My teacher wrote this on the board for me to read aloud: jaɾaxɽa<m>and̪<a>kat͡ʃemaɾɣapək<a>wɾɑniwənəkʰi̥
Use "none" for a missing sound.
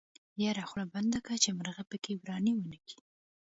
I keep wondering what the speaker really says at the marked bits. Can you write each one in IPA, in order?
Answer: b, a, e

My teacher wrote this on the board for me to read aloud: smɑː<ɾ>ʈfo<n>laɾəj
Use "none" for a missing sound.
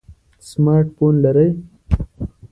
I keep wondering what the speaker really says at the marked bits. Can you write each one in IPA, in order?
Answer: ɾ, n

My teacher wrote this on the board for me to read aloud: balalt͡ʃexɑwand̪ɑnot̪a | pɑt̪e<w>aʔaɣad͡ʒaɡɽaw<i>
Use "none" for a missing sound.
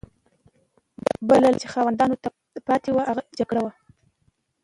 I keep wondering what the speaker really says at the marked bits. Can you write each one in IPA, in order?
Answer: w, a

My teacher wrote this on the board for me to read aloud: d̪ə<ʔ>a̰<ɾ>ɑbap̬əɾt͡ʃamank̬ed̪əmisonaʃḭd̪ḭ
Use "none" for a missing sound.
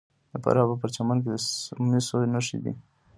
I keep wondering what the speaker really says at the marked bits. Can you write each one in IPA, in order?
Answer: p, ɾ

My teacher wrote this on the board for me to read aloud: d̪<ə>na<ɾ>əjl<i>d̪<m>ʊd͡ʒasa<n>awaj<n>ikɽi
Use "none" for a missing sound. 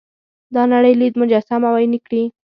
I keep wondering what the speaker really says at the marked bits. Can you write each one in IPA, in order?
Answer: ɑ, ɽ, i, m, m, n

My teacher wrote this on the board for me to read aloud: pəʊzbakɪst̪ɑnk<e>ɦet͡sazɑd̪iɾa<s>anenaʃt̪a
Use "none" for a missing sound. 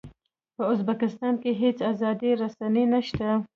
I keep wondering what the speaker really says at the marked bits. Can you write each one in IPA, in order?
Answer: e, s

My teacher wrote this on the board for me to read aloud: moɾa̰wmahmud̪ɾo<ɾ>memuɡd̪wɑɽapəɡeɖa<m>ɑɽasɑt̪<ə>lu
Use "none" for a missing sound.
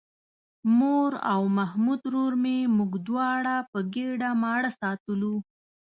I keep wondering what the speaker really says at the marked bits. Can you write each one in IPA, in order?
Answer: ɾ, m, ə

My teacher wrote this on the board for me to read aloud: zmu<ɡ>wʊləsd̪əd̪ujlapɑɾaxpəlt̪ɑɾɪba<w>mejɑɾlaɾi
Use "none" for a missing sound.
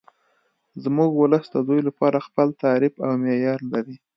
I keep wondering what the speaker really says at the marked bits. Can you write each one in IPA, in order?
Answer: ɡ, w

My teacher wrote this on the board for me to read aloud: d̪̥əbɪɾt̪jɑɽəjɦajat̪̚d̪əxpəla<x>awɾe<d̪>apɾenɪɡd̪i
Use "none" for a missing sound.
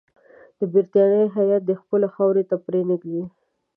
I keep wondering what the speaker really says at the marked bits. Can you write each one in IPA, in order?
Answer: x, t̪

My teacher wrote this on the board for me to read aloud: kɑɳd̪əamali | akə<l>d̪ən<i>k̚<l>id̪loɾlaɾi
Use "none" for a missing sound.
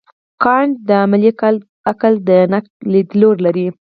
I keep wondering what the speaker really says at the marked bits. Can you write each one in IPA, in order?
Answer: l, a, l

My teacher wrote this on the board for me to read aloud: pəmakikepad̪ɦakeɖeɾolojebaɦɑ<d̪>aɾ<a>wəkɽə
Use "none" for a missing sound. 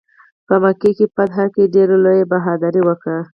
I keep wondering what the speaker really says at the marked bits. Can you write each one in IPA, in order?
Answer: d̪, i

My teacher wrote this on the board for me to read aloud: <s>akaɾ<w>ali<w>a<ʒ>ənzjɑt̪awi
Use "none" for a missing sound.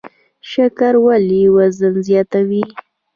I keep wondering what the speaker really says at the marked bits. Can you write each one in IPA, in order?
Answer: ʃ, w, w, z

